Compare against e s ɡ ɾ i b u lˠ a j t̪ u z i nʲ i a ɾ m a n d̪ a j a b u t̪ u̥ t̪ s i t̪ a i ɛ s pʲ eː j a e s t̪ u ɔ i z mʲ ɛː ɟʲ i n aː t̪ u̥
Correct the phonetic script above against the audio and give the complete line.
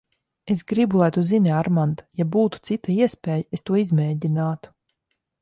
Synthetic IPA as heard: e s ɡ ɾ i b u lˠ a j t̪ u z i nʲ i a ɾ m a n d̪ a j a b uː t̪ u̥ t̪ s i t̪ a i ɛ s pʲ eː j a e s t̪ u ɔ i z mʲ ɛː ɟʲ i n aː t̪ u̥